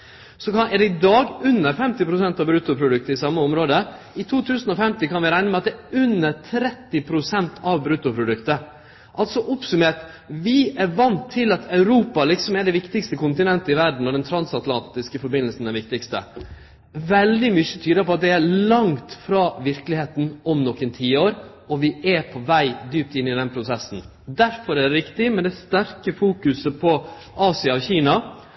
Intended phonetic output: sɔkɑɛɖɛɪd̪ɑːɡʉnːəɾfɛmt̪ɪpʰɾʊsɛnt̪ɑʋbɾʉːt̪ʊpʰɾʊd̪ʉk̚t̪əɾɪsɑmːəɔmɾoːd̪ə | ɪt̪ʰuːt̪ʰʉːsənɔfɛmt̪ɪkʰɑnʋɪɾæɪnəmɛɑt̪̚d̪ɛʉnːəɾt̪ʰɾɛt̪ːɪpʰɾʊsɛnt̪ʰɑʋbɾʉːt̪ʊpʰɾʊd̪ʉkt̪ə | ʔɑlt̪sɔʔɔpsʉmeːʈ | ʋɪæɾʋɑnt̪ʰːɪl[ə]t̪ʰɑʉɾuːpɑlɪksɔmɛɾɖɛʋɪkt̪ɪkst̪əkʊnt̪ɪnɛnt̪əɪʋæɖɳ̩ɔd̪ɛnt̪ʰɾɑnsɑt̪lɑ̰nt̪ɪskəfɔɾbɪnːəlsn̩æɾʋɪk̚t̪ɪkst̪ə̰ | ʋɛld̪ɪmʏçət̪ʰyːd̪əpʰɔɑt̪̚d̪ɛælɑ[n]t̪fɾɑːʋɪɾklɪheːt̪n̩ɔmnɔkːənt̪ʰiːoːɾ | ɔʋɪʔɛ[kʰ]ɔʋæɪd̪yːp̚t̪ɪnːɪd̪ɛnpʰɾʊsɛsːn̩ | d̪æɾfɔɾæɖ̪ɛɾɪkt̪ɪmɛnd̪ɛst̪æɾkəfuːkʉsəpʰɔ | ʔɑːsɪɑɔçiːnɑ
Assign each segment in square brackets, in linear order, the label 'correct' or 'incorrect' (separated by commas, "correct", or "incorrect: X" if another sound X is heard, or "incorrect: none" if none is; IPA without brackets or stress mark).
incorrect: ɑ, incorrect: ŋ, incorrect: pʰ